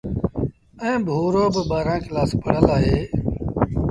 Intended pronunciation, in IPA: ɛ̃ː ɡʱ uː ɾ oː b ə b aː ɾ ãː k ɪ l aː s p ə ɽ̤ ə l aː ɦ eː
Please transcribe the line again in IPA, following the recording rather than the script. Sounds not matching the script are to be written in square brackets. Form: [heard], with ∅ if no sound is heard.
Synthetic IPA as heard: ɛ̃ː [bʱ] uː ɾ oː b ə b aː ɾ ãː k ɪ l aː s p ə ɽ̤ ə l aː ɦ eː